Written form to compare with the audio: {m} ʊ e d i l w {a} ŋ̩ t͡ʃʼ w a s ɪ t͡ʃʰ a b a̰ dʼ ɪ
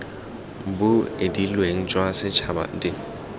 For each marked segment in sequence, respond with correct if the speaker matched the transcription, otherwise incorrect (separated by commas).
incorrect, incorrect